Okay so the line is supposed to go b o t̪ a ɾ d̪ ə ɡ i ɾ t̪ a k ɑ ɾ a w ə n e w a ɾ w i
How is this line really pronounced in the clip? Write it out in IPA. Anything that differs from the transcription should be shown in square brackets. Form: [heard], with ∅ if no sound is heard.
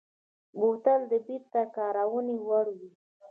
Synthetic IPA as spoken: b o t̪ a [l] d̪ ə [b] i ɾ t̪ a k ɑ ɾ a w ə n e w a [ɽ] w i